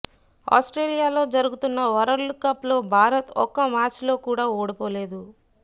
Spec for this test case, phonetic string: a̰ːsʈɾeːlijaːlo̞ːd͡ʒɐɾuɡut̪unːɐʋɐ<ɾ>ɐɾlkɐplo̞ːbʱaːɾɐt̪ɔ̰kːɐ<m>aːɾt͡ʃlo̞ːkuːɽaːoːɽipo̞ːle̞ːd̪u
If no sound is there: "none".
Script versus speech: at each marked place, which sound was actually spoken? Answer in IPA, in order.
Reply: ɾ, m

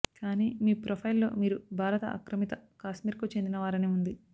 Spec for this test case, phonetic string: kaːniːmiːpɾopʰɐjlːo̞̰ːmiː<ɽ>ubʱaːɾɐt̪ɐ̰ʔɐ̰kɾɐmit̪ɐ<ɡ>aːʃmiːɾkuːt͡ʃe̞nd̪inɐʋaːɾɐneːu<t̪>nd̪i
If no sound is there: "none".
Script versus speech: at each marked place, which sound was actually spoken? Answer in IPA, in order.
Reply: ɾ, k, none

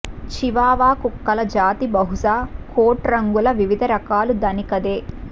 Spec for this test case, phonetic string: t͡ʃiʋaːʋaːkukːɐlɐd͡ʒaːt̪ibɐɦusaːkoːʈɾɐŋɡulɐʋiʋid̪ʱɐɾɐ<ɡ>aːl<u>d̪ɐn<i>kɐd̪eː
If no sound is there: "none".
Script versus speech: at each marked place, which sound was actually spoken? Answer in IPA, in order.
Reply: k, u, i

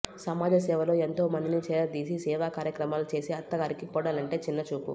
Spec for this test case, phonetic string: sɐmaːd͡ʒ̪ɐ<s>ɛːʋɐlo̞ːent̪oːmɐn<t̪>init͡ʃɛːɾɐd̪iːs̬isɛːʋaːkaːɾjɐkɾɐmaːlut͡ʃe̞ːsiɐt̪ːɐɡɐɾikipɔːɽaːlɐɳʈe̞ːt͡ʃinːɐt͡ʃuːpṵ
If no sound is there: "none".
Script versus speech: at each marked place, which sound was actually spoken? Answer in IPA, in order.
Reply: s, d̪

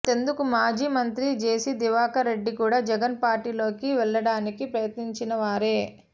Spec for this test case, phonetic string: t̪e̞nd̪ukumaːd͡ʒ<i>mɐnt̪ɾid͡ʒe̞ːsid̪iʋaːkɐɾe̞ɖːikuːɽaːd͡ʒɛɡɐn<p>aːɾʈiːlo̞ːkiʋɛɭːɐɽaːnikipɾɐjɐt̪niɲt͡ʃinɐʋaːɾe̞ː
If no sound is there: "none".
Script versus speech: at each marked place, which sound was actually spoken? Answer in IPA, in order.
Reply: iː, p

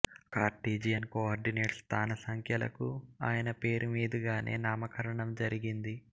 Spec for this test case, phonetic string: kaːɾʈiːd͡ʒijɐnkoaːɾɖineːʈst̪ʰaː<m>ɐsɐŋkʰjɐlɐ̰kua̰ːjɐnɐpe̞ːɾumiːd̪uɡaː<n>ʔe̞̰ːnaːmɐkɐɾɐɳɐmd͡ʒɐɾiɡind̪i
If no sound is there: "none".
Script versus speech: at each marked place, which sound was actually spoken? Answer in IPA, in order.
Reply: n, n

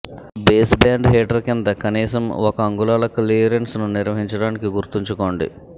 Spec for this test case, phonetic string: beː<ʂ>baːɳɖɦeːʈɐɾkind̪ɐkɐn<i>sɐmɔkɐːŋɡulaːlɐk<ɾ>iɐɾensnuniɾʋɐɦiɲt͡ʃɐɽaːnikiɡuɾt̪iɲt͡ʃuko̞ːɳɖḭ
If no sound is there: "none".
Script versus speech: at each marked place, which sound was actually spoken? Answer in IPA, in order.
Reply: s, iː, l

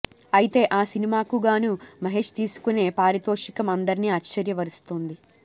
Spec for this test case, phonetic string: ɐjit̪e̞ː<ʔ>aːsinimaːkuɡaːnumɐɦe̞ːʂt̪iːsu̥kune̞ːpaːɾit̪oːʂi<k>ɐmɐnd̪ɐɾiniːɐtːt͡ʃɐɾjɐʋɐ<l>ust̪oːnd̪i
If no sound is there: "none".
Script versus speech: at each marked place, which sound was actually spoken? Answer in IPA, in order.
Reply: ʔ, k, ɾ

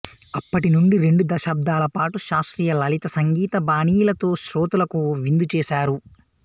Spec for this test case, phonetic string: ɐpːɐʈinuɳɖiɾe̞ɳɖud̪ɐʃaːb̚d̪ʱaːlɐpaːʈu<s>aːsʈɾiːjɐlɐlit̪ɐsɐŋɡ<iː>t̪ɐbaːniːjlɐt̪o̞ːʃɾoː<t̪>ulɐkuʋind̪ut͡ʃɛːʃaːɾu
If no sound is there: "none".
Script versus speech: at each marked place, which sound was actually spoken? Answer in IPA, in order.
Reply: ʃ, iː, t̪

